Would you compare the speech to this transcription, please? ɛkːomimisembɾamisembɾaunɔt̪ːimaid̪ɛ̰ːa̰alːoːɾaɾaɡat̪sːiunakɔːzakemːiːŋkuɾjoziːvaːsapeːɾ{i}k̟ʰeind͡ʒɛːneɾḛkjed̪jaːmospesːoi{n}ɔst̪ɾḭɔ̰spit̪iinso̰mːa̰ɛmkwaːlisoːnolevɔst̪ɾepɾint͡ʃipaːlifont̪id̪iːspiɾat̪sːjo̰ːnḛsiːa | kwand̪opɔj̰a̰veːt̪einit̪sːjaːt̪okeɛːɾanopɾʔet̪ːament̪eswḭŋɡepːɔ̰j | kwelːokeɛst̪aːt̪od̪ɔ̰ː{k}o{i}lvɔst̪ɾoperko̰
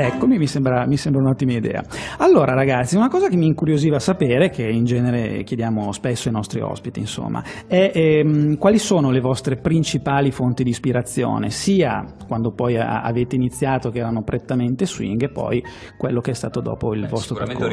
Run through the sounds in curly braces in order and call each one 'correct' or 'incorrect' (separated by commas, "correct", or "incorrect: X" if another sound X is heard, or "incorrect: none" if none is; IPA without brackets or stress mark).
incorrect: e, correct, incorrect: p, correct